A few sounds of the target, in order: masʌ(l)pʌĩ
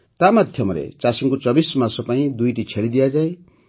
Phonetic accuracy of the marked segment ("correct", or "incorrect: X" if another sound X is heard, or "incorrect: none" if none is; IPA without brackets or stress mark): incorrect: none